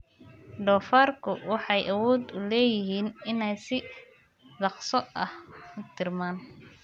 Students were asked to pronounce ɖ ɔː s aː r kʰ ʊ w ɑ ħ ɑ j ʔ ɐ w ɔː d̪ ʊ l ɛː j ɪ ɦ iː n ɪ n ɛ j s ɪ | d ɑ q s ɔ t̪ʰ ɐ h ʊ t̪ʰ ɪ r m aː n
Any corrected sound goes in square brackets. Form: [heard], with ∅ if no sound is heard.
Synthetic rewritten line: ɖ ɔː [f] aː r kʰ ʊ w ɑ ħ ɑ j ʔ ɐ w ɔː d̪ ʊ l ɛː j ɪ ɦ iː n ɪ n ɛ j s ɪ | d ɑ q s ɔ [∅] ɐ h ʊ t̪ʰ ɪ r m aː n

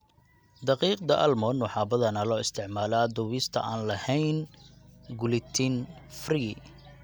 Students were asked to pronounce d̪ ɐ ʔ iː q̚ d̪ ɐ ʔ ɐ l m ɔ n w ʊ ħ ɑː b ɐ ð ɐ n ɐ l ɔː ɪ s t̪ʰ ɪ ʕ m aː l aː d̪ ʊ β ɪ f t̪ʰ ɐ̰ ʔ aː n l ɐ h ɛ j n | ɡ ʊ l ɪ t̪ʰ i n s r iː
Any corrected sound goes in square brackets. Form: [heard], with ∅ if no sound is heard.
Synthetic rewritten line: d̪ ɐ [q] iː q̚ d̪ ɐ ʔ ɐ l m ɔ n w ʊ ħ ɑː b ɐ ð ɐ n ɐ l ɔː ɪ s t̪ʰ ɪ ʕ m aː l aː d̪ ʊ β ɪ [s] t̪ʰ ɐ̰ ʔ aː n l ɐ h ɛ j n | ɡ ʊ l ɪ t̪ʰ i n [f] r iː

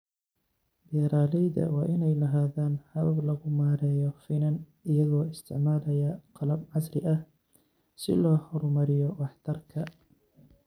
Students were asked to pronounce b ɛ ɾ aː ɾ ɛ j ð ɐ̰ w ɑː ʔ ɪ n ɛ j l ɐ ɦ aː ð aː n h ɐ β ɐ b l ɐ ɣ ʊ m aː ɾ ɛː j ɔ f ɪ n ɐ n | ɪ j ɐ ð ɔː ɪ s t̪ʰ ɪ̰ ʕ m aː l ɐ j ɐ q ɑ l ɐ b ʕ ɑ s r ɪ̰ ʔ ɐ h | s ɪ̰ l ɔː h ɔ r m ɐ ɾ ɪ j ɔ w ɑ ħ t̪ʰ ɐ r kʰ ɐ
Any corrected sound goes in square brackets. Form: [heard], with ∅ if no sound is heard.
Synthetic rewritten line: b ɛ ɾ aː [l] ɛ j ð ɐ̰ w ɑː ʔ ɪ n ɛ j l ɐ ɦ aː ð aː n h ɐ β ɐ b l ɐ ɣ ʊ m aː ɾ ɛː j ɔ f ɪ n ɐ n | ɪ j ɐ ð ɔː ɪ s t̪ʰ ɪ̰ ʕ m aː l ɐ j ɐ q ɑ l ɐ b ʕ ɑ s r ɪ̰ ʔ ɐ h | s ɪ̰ l ɔː h ɔ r m ɐ ɾ ɪ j ɔ w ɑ ħ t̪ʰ ɐ r kʰ ɐ

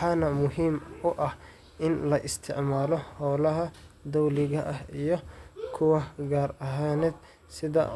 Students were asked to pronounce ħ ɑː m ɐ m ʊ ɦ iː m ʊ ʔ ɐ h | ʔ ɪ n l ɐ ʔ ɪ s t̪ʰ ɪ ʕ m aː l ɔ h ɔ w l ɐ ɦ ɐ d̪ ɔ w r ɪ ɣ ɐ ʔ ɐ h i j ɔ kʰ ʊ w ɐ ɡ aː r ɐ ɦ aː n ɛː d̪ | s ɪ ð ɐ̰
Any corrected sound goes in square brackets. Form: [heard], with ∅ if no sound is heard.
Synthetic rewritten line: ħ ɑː [n] ɐ m ʊ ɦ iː m ʊ ʔ ɐ h | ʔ ɪ n l ɐ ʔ ɪ s t̪ʰ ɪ ʕ m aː l ɔ h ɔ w l ɐ ɦ ɐ d̪ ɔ w [l] ɪ ɣ ɐ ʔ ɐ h i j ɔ kʰ ʊ w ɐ ɡ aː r ɐ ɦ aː n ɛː d̪ | s ɪ ð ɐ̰

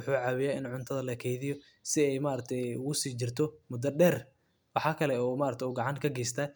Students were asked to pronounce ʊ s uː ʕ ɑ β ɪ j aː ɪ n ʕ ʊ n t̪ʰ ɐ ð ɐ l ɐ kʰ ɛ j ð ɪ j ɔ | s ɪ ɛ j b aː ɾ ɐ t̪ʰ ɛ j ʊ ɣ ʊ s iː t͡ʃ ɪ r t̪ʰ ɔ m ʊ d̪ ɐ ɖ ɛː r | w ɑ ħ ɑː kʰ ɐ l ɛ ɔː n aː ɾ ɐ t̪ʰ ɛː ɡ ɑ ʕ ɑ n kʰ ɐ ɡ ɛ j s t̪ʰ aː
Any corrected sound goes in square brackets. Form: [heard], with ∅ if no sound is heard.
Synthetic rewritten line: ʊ [ħ] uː ʕ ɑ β ɪ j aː ɪ n ʕ ʊ n t̪ʰ ɐ ð ɐ l ɐ kʰ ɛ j ð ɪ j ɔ | s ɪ ɛ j [m] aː ɾ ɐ t̪ʰ ɛ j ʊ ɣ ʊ s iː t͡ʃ ɪ r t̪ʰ ɔ m ʊ d̪ ɐ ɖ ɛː r | w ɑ ħ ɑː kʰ ɐ l ɛ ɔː [m] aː ɾ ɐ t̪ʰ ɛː ɡ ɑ ʕ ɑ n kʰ ɐ ɡ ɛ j s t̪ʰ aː

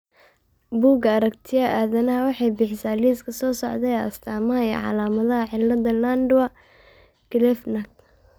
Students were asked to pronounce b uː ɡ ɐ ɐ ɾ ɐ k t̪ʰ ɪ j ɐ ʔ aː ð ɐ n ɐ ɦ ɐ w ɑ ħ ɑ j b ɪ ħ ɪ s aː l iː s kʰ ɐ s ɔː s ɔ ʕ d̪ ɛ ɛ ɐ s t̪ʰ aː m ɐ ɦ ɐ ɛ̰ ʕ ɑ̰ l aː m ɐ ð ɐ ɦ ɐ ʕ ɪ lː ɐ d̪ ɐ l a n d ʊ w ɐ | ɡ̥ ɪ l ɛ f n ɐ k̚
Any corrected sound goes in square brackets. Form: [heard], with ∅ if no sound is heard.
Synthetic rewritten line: b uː ɡ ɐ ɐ ɾ ɐ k t̪ʰ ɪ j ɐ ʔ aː ð ɐ n ɐ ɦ ɐ w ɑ ħ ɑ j b ɪ ħ ɪ s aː l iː s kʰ ɐ s ɔː s ɔ ʕ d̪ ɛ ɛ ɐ s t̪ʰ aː m ɐ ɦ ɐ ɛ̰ ʕ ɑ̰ l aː m ɐ ð ɐ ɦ ɐ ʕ ɪ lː ɐ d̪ ɐ l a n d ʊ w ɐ | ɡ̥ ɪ l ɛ f n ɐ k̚

